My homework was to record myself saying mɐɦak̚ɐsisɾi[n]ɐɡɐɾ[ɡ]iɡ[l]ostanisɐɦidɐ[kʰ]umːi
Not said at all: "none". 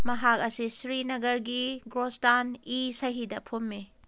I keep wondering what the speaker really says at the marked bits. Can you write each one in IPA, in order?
n, ɡ, ɾ, pʰ

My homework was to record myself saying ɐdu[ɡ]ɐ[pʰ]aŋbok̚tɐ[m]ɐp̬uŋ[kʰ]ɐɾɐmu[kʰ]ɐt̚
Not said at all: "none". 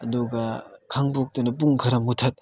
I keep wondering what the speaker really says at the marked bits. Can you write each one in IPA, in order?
ɡ, kʰ, n, kʰ, tʰ

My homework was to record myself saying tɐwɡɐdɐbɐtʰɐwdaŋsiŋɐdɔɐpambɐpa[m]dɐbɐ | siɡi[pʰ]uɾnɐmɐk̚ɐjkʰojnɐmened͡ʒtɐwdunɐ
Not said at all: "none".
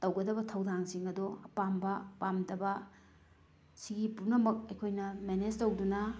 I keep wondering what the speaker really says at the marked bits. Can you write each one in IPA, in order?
m, p

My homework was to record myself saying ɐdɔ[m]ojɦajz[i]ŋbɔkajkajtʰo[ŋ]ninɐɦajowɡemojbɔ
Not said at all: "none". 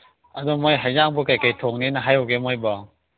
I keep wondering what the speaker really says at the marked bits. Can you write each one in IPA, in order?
m, a, ŋ

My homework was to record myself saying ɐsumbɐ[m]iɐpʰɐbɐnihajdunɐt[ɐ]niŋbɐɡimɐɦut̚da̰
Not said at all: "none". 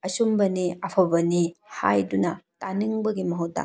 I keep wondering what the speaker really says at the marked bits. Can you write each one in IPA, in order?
n, a

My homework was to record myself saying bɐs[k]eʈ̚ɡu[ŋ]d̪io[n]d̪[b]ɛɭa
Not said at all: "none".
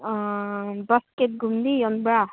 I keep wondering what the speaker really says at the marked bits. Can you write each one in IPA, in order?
k, m, n, b

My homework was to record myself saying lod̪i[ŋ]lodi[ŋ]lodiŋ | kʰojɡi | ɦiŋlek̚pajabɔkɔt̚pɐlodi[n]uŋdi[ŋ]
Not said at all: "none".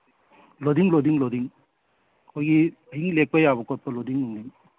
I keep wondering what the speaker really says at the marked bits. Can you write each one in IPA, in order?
ŋ, ŋ, ŋ, ŋ

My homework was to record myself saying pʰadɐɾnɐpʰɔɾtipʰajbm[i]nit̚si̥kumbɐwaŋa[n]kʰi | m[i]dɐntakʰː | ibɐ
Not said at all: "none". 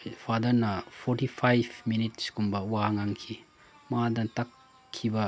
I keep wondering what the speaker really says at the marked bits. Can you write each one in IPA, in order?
i, ŋ, a

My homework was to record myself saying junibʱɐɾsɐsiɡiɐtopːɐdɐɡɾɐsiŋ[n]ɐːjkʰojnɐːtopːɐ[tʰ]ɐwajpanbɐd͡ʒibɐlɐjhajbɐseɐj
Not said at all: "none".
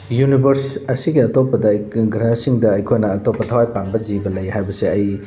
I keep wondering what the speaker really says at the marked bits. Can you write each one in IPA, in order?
d, tʰ

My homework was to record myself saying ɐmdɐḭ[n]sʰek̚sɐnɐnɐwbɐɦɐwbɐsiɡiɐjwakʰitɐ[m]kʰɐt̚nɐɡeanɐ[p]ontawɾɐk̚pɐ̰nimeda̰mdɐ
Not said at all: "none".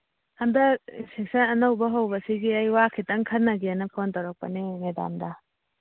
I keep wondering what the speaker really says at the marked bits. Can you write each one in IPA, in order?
n, ŋ, pʰ

